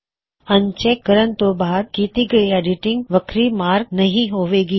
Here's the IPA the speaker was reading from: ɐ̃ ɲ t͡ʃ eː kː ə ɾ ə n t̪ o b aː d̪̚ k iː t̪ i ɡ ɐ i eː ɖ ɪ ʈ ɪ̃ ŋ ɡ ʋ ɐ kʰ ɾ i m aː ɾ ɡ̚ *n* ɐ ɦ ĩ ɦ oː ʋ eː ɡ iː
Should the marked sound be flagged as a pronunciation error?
no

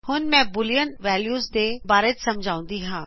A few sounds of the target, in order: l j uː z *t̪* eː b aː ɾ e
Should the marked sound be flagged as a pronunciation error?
yes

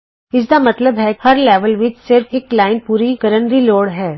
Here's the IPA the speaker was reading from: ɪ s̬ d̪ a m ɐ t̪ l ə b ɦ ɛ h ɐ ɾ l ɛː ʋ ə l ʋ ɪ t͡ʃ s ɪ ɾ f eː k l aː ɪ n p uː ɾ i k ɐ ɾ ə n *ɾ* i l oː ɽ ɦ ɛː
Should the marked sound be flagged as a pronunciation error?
no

